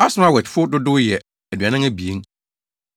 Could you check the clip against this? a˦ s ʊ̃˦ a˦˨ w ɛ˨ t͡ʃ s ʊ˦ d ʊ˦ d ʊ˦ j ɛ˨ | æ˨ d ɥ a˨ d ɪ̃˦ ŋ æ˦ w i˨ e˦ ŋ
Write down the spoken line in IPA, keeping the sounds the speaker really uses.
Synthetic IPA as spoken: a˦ s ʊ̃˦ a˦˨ w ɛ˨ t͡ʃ f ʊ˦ d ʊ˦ d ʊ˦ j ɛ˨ | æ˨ d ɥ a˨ n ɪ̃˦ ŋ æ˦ b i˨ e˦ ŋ